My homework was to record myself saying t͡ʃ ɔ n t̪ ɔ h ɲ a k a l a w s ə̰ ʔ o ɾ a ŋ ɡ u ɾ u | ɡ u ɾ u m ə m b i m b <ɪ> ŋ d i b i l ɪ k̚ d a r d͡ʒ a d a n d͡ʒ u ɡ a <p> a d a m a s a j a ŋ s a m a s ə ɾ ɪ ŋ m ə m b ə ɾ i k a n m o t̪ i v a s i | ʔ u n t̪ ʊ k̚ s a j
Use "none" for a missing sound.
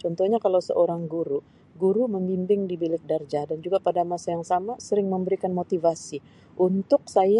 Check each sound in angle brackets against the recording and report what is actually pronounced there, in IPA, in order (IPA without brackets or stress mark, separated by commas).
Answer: ɪ, p